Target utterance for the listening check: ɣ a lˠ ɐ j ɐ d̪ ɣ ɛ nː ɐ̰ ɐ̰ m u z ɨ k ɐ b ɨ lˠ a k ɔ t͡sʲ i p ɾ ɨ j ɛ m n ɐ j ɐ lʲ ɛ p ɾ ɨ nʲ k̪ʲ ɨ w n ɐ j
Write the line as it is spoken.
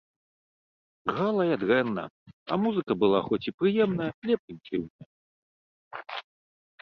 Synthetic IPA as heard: ɣ a lˠ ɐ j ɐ d̪ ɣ ɛ nː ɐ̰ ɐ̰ m u z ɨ k ɐ b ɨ lˠ a x ɔ t͡sʲ i p ɾ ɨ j ɛ m n ɐ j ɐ lʲ ɛ p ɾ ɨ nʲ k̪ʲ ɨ w n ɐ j